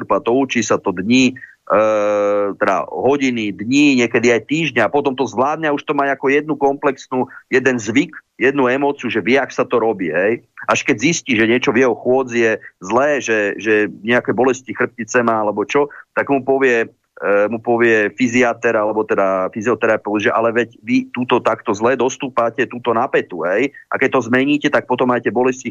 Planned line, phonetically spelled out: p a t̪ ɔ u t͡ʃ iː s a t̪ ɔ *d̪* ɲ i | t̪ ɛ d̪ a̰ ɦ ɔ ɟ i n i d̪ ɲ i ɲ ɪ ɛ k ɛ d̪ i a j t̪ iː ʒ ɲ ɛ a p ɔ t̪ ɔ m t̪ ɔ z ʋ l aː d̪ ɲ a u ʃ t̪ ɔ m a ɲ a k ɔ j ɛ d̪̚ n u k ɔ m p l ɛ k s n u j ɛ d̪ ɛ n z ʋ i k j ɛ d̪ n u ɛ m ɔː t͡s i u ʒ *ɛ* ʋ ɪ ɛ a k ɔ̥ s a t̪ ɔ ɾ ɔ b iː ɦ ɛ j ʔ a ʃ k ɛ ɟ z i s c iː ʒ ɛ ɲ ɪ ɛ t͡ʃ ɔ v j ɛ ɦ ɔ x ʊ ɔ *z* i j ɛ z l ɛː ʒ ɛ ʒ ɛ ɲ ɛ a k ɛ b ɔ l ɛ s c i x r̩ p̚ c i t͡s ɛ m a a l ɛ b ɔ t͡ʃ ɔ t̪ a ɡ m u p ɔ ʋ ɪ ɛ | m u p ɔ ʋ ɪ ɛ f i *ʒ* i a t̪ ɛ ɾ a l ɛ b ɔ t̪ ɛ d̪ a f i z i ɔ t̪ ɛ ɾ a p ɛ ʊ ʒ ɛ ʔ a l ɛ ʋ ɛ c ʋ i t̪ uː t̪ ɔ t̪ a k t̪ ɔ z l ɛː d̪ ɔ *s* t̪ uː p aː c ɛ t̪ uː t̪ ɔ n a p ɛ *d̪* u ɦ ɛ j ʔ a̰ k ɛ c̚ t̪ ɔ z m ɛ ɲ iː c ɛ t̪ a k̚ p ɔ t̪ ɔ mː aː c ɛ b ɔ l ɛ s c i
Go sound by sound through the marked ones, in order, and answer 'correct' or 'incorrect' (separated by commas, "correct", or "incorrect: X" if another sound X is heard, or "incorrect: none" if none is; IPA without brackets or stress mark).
correct, correct, incorrect: d͡z, incorrect: z, correct, incorrect: t̪